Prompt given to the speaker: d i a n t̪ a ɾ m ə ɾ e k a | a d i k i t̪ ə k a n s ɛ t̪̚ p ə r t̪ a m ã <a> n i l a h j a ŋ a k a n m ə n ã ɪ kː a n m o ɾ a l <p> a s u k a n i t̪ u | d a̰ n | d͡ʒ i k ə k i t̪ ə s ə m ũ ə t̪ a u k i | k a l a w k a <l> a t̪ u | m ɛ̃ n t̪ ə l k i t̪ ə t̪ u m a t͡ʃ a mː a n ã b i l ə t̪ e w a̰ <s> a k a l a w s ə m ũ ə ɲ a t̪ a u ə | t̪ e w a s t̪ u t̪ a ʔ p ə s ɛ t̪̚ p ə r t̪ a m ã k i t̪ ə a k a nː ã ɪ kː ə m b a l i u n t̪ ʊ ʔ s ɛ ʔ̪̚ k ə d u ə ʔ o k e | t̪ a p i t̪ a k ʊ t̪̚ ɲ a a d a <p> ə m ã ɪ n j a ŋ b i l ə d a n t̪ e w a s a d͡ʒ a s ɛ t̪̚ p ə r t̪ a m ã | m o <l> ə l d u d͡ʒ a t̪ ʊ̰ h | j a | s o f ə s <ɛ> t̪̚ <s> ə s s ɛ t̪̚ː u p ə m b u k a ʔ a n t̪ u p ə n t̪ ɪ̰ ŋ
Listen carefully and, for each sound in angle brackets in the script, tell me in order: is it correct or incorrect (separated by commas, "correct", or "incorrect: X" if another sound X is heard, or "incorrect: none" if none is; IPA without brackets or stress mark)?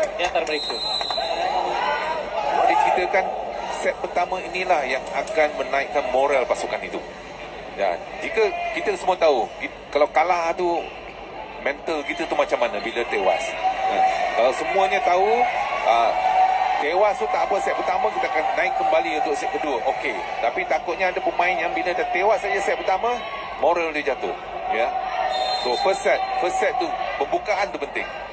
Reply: incorrect: i, correct, correct, correct, correct, incorrect: ɾ, correct, incorrect: f